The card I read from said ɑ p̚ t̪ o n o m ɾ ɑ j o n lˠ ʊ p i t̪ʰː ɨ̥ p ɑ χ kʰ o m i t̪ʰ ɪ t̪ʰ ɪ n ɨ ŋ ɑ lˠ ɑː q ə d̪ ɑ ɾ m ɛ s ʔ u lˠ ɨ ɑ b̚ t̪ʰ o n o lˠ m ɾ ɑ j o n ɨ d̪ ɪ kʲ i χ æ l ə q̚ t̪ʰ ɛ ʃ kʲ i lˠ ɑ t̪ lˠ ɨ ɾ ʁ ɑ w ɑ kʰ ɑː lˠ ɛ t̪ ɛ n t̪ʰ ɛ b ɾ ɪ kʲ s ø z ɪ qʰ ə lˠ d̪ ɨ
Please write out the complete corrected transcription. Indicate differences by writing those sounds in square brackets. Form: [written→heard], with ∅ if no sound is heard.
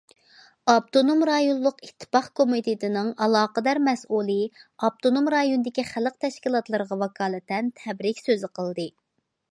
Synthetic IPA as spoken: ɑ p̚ t̪ o n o m ɾ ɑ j o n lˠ ʊ [p→q] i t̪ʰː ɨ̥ p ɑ χ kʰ o m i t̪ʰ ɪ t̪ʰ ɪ n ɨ ŋ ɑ lˠ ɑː q ə d̪ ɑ ɾ m ɛ s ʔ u lˠ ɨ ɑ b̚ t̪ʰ o n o [lˠ→∅] m ɾ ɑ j o n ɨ d̪ ɪ kʲ i χ æ l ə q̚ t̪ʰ ɛ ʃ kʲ i lˠ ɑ t̪ lˠ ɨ ɾ ʁ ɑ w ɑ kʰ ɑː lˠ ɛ t̪ ɛ n t̪ʰ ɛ b ɾ ɪ kʲ s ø z ɪ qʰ ə lˠ d̪ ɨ